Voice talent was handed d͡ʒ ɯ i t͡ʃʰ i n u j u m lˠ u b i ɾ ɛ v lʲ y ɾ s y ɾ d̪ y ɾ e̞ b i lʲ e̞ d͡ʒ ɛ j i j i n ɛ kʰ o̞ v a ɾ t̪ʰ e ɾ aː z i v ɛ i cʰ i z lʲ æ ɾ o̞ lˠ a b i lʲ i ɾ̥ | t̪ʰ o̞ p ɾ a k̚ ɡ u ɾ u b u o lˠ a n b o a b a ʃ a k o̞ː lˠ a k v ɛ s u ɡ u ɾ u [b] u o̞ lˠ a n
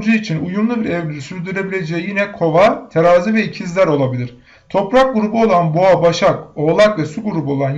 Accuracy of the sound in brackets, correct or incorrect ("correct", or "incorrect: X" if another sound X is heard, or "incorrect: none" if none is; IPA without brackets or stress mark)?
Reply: correct